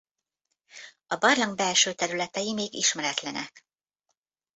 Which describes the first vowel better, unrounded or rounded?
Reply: rounded